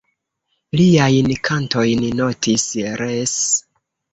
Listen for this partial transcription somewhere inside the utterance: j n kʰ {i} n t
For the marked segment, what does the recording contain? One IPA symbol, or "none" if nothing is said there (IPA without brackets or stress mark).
a